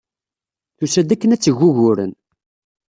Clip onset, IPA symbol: θ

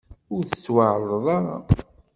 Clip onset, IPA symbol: ʊ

